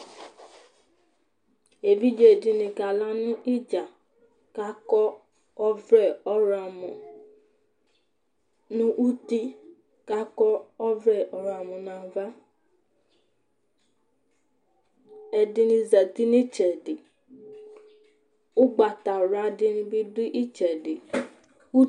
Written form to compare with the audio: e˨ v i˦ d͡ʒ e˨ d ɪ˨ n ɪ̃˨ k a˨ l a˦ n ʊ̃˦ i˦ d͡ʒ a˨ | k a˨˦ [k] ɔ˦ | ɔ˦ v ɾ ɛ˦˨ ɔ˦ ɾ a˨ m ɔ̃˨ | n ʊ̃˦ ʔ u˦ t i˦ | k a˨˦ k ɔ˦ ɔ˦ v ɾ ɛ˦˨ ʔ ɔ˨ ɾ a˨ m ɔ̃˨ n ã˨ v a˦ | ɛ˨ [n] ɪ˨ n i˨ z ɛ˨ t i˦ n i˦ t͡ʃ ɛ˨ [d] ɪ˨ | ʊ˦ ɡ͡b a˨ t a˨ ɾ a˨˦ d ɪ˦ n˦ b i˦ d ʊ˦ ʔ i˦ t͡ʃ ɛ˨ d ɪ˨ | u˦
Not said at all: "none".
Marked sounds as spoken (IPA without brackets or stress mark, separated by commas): k, d, d